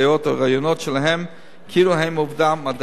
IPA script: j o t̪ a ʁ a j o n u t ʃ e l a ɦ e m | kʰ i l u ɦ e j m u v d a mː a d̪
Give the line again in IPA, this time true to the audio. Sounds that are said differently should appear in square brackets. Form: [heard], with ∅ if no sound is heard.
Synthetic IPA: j o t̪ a ʁ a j o n [o] t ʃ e l a ɦ e m | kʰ i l u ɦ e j m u v d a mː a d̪

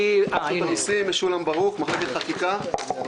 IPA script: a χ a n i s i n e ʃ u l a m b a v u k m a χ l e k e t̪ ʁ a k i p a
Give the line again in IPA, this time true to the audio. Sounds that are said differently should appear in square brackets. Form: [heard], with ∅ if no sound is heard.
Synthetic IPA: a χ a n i s i [m] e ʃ u l a m b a [ʁ] u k m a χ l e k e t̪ [χ] a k i [k] a

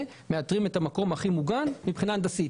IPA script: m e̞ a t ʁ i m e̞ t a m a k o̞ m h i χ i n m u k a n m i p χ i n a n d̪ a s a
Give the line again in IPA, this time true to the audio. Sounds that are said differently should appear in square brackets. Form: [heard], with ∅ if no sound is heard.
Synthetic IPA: m e̞ a t ʁ i m e̞ t a m a k o̞ m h [a] χ i [∅] m u [ɡ] a n m i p χ i n a n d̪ a s [i]

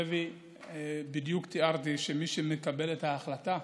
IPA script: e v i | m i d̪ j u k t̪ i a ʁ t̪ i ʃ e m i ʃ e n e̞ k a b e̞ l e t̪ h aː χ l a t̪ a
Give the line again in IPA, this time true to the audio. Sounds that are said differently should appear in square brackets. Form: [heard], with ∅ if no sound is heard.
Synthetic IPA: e v i | [b] i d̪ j u k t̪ i a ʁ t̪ i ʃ e m i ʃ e [m] e̞ k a b e̞ l e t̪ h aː χ l a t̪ a

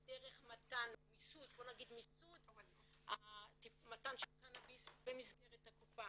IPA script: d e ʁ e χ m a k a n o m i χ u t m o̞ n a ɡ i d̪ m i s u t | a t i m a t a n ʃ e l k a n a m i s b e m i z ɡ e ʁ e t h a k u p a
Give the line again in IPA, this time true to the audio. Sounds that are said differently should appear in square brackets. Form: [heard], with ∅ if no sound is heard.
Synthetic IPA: d e ʁ e χ m a [t] a n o m i [s] u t [b] o̞ n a ɡ i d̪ m i s u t | a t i m a t a n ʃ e l k a n a [b] i s b e m i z ɡ e ʁ e t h a k u p a

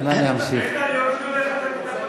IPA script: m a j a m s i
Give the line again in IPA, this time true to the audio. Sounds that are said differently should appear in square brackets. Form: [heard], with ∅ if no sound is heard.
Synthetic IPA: [n] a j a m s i

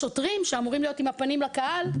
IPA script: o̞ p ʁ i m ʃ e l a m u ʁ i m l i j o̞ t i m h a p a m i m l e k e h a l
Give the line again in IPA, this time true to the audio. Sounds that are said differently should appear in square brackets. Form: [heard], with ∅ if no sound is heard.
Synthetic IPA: o̞ [t] ʁ i m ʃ e [∅] a m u ʁ i m l i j o̞ t i m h a p a [n] i m l [a] k [a] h a l

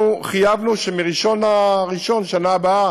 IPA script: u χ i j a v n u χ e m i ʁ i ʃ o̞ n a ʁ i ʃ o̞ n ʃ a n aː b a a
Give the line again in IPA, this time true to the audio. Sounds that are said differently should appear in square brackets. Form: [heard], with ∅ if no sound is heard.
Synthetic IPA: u χ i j a v n u [ʃ] e m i ʁ i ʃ o̞ n a ʁ i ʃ o̞ n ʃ a n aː b a a

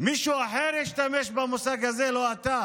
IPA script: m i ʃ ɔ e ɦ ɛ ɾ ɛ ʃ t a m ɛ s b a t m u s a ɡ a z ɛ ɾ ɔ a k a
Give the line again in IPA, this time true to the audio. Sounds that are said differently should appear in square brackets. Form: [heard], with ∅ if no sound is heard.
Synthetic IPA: m i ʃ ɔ [a] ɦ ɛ ɾ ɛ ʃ t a m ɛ [ʃ] b a [∅] m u s a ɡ a z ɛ [l] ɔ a [t] a

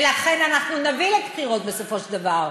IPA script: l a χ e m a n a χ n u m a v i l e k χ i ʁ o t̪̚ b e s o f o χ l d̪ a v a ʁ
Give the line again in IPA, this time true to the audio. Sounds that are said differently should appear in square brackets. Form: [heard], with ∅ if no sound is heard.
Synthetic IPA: l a χ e [n] a n a χ n u [n] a v i l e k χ i ʁ o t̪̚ b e s o f o [ʃ] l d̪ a v a ʁ

